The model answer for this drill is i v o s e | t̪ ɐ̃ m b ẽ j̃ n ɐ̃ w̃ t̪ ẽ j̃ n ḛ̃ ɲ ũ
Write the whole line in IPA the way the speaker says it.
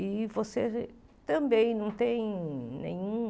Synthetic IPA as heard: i v o s e | t̪ ɐ̃ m b ẽ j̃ n ɐ̃ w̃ t̪ ẽ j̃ n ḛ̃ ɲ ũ